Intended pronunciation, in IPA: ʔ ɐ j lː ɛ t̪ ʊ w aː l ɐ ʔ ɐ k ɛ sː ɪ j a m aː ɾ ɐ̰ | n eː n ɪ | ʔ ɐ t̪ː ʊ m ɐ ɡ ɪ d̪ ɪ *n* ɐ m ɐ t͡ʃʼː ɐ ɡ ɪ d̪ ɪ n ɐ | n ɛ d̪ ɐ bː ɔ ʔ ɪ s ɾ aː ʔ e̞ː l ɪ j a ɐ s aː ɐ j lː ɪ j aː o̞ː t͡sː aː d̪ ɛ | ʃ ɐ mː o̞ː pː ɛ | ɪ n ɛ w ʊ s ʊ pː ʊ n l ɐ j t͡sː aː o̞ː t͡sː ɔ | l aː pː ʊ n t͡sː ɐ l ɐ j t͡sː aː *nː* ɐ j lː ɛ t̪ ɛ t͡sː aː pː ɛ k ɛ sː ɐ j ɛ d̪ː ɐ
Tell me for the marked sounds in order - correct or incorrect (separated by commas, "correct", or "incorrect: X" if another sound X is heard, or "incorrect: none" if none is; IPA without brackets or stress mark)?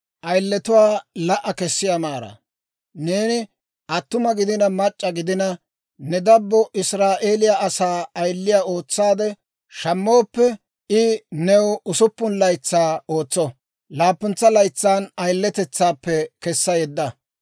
correct, incorrect: n